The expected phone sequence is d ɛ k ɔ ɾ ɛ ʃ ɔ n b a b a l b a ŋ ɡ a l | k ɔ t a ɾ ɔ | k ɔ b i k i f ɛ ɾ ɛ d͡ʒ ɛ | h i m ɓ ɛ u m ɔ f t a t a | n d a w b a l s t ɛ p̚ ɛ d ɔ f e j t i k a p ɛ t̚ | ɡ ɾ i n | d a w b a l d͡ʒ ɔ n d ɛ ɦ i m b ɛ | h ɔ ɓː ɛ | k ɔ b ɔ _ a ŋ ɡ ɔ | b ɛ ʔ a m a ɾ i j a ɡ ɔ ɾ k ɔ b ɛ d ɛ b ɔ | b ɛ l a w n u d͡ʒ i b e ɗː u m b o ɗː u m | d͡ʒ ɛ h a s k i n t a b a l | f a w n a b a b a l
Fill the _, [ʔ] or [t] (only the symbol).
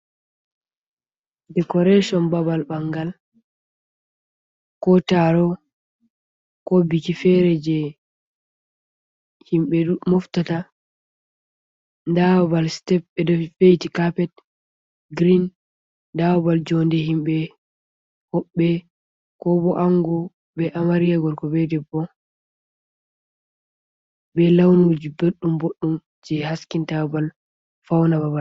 ʔ